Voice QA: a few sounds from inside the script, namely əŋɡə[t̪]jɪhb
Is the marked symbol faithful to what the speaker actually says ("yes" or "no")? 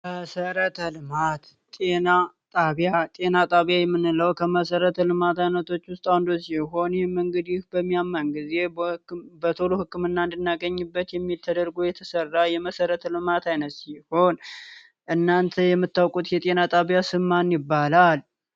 no